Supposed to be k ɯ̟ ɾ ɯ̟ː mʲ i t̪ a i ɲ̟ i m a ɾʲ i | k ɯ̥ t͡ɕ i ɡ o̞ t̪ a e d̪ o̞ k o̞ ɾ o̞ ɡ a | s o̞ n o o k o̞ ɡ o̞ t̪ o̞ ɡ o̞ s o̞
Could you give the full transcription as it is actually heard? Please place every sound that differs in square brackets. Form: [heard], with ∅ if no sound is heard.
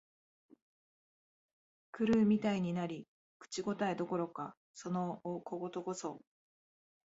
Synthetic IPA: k ɯ̟ ɾ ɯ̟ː mʲ i t̪ a i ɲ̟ i [n] a ɾʲ i | k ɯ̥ t͡ɕ i ɡ o̞ t̪ a e d̪ o̞ k o̞ ɾ o̞ [k] a | s o̞ n o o k o̞ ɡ o̞ t̪ o̞ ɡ o̞ s o̞